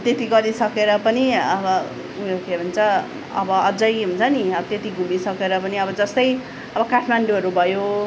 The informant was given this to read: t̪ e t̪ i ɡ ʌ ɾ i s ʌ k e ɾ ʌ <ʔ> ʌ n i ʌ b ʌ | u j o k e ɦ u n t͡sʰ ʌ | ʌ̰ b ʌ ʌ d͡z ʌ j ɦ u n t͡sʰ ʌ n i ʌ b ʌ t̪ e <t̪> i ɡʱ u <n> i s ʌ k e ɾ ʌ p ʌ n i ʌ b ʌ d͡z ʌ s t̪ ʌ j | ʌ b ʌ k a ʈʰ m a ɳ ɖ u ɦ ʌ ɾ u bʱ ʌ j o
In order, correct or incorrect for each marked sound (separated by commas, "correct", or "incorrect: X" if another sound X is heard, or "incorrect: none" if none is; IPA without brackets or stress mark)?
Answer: incorrect: p, correct, incorrect: m